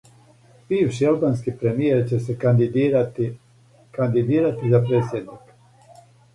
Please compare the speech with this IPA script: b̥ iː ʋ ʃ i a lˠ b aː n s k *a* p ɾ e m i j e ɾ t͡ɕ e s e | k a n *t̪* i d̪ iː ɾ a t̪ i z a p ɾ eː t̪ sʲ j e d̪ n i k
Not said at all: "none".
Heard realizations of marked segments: i, d̪

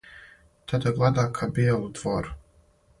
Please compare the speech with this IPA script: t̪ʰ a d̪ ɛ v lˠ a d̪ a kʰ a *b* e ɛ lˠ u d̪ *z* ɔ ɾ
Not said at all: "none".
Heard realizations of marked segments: b, v

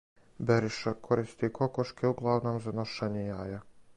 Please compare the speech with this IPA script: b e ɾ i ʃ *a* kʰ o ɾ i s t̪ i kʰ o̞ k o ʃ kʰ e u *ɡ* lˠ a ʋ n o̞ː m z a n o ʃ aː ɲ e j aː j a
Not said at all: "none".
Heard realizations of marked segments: a, ɡ

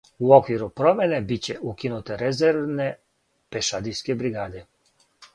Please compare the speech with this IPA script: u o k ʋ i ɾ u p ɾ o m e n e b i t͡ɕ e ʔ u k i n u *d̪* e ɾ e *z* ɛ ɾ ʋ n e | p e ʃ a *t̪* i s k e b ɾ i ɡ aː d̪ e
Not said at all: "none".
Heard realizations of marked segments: t̪, z, d̪

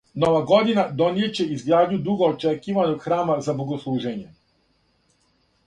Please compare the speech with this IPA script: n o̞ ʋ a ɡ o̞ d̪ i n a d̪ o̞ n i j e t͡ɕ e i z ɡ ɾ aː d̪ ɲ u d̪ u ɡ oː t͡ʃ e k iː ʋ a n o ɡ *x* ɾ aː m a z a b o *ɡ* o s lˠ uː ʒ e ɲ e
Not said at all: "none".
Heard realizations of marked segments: x, ɡ

